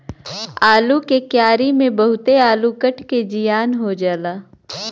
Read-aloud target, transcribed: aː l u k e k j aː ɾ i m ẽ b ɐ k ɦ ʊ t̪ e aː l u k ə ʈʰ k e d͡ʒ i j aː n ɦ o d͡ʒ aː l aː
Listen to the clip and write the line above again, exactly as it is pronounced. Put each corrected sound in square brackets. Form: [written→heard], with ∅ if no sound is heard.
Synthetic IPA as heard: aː l u k e k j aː ɾ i m ẽ b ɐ [k→∅] ɦ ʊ t̪ e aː l u k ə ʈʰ k e d͡ʒ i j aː n ɦ o d͡ʒ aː l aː

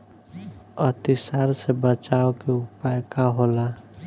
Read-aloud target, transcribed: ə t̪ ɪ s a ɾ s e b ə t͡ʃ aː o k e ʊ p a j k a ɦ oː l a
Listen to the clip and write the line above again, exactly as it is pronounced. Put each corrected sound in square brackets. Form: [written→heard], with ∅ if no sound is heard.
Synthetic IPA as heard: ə t̪ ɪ s a ɾ s e b ə t͡ʃ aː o k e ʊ p a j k a ɦ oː l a

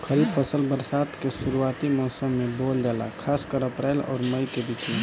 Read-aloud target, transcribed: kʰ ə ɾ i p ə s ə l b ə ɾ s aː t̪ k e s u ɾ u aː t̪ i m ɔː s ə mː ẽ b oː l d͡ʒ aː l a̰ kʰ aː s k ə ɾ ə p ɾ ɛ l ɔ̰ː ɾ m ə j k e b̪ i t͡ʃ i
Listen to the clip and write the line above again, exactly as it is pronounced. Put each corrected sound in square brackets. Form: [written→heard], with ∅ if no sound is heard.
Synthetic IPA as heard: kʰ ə ɾ i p ə s ə l b ə ɾ s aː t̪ k e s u ɾ u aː t̪ i m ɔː s ə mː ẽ b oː l d͡ʒ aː l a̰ kʰ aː s k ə ɾ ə p ɾ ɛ l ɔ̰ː ɾ m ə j k e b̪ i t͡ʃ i

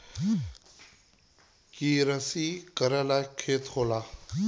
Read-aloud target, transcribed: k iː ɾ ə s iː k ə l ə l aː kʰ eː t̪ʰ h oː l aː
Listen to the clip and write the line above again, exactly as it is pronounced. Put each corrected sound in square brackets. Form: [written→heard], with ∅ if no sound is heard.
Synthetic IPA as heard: k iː ɾ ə s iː k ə [l→ɾ] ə l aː kʰ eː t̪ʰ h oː l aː

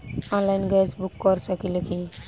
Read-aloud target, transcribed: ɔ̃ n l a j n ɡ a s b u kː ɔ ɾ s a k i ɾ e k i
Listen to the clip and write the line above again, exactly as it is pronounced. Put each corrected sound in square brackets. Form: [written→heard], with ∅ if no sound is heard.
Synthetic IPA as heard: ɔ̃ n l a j n ɡ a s b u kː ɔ ɾ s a k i [ɾ→l] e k i

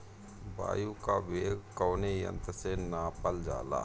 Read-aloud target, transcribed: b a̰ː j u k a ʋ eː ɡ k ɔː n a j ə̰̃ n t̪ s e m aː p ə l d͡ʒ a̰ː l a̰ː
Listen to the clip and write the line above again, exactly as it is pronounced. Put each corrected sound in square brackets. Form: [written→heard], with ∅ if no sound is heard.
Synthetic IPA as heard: b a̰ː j u k a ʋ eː ɡ k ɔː n [a→e] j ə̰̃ n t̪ s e [m→n] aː p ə l d͡ʒ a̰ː l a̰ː

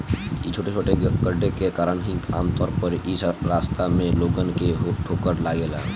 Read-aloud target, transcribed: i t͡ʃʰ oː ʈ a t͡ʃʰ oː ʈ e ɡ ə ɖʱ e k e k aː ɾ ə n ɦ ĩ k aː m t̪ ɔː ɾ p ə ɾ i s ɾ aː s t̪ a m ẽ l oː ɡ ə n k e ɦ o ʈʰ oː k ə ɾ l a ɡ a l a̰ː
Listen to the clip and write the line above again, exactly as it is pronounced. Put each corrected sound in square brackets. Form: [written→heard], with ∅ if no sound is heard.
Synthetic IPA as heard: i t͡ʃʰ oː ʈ [a→e] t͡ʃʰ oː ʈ e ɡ ə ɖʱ e k e k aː ɾ ə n ɦ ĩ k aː m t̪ ɔː ɾ p ə ɾ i s ɾ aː s t̪ a m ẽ l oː ɡ ə n k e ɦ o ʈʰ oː k ə ɾ l a ɡ [a→e] l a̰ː

